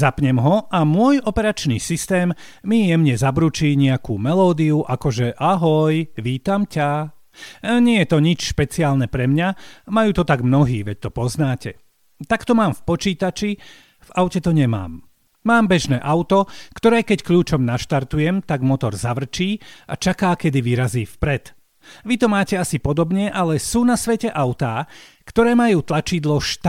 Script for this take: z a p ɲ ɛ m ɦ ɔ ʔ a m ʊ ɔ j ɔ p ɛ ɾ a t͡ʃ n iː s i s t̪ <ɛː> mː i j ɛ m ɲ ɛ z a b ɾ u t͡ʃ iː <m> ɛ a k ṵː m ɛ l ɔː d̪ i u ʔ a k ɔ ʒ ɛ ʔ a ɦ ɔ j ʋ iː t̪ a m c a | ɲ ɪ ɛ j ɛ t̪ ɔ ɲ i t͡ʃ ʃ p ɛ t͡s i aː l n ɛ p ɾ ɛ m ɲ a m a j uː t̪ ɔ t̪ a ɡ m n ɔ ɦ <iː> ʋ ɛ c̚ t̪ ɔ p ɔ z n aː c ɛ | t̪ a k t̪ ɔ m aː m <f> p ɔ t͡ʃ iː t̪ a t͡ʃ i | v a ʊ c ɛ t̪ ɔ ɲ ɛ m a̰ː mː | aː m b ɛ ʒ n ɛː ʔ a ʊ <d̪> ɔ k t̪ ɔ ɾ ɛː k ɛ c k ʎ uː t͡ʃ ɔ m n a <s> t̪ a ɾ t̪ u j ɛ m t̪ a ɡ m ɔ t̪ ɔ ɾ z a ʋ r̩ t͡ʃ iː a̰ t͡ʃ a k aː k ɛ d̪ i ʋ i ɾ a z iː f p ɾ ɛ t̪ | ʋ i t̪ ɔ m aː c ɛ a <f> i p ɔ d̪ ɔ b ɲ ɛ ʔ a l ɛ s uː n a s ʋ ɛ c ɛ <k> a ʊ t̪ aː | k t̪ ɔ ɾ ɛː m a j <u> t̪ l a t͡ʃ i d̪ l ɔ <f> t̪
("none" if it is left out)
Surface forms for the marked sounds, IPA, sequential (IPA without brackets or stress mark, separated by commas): ɛː, ɲ, iː, f, t̪, ʃ, s, ʔ, uː, ʃ